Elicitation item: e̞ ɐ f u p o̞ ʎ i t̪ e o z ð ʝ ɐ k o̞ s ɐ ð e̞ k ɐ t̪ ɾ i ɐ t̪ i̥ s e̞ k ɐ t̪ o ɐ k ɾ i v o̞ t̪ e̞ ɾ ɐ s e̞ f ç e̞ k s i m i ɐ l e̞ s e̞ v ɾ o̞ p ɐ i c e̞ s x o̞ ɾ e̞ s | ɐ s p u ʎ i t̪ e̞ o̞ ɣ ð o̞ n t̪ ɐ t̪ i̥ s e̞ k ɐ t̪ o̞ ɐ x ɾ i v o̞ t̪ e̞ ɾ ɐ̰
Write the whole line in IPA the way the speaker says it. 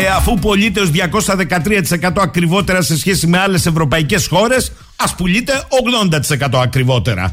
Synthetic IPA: e̞ ɐ f u p o̞ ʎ i t̪ e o z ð ʝ ɐ k o̞ s ɐ ð e̞ k ɐ t̪ ɾ i ɐ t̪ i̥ s e̞ k ɐ t̪ o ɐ k ɾ i v o̞ t̪ e̞ ɾ ɐ s e̞ s ç e̞ s i m e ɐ l e̞ s e̞ v ɾ o̞ p ɐ i c e̞ s x o̞ ɾ e̞ s | ɐ s p u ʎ i t̪ e̞ o̞ ɣ ð o̞ n d̪ ɐ t̪ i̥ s e̞ k ɐ t̪ o̞ ɐ k ɾ i v o̞ t̪ e̞ ɾ ɐ̰